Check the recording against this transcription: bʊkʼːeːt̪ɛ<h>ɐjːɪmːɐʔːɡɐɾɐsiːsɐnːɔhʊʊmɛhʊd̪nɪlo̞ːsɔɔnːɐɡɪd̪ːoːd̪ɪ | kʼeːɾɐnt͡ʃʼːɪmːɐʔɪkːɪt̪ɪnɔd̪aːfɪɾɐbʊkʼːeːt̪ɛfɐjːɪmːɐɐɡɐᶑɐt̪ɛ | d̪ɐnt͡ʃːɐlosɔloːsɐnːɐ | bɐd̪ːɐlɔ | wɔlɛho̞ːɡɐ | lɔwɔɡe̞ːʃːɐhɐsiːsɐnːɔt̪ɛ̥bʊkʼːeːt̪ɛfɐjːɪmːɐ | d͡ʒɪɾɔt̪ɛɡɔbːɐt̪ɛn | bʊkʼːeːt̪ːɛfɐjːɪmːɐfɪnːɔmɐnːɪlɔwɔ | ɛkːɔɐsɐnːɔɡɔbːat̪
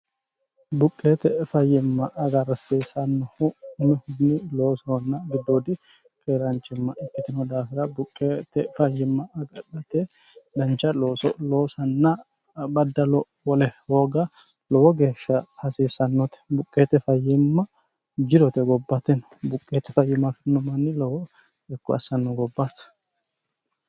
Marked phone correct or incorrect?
incorrect